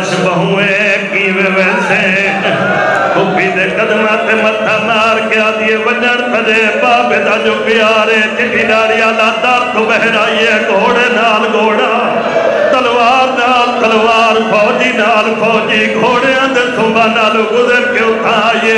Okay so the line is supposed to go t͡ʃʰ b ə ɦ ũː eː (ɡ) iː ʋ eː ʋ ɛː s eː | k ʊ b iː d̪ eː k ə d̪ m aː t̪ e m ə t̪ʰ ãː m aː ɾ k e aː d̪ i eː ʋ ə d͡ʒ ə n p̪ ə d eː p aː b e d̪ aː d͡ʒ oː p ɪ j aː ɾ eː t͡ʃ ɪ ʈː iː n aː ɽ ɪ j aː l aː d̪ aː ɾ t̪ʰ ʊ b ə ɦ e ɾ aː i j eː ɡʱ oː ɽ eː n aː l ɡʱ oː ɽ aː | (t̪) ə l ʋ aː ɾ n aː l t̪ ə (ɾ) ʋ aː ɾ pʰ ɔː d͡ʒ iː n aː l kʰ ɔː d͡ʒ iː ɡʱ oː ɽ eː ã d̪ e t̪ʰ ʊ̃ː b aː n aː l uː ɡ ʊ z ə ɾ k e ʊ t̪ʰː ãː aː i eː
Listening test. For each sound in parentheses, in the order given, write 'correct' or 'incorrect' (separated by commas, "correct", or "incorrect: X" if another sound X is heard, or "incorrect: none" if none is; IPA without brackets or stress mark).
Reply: incorrect: k, correct, incorrect: l